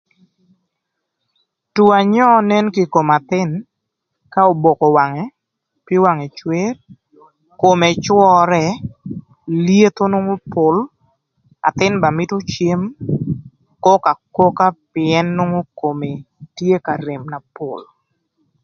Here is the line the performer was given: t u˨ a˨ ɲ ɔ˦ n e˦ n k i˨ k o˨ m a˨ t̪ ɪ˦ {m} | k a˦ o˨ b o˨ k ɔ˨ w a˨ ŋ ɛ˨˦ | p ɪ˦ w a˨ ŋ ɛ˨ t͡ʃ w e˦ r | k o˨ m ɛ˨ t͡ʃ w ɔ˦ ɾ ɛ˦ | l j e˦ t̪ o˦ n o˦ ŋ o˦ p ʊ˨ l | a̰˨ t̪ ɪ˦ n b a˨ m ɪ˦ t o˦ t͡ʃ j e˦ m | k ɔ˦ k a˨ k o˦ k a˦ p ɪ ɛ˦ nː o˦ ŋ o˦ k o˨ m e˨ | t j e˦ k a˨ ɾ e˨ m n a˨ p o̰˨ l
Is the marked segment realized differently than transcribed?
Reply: yes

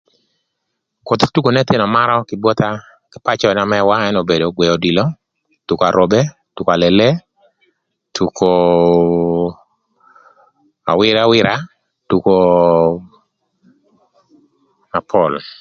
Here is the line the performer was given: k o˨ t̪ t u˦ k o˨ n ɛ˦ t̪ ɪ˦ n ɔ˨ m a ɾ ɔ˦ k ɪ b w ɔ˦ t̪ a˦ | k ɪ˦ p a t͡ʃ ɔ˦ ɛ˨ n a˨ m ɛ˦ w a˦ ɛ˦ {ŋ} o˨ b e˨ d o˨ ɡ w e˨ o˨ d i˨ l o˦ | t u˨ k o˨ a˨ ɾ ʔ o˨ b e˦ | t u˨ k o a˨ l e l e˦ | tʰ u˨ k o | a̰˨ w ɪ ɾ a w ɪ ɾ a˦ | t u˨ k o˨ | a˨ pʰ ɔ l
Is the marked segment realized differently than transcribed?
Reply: yes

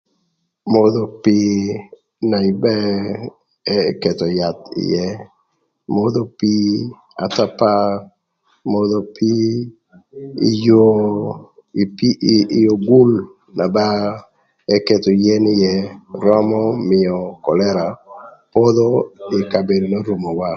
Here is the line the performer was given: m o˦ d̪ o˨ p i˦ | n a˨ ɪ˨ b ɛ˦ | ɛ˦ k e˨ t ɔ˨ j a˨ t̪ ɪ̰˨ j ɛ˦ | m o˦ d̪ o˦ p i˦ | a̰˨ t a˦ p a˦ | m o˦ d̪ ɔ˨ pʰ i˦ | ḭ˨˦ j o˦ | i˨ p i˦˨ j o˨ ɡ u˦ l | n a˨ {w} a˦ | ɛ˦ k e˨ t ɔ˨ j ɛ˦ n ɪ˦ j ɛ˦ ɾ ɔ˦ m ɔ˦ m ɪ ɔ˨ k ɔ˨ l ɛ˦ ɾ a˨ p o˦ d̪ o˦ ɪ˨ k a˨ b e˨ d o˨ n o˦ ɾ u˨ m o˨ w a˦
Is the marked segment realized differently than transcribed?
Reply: yes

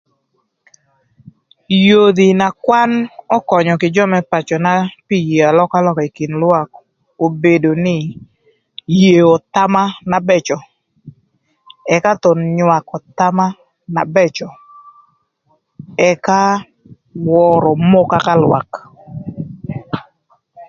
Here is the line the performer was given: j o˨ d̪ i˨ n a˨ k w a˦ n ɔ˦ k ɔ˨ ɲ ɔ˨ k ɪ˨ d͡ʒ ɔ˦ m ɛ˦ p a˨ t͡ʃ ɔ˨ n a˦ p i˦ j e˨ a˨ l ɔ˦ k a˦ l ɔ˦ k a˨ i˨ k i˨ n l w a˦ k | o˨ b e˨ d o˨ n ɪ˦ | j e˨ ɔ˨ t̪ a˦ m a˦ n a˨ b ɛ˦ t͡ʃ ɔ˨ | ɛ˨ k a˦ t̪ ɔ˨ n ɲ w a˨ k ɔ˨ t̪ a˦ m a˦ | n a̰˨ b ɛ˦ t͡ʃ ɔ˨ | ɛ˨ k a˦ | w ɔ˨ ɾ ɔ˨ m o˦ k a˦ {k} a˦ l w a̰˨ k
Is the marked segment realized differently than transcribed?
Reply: no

